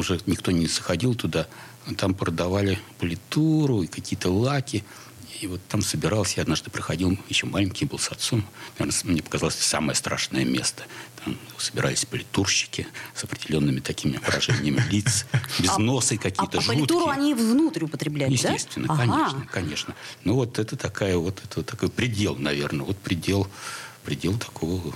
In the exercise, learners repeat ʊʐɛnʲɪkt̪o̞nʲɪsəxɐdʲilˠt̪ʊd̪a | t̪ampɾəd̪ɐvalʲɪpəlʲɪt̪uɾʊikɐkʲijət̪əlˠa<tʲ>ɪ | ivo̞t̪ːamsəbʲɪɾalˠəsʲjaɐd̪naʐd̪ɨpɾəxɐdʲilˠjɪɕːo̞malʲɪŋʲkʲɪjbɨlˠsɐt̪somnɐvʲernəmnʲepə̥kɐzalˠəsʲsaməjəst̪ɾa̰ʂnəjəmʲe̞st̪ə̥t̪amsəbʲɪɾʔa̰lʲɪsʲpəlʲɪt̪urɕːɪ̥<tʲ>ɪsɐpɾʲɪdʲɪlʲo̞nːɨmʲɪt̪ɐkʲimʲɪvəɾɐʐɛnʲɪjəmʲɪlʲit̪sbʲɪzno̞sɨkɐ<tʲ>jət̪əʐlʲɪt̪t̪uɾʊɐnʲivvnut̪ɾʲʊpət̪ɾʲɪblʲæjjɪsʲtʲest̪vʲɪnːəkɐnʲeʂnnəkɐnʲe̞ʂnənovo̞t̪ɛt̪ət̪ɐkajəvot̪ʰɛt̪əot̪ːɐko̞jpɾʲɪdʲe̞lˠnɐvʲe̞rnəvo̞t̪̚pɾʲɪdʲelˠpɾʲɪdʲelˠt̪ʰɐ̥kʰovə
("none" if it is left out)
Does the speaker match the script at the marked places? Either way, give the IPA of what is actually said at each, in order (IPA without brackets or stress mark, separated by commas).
kʲ, kʲ, kʲ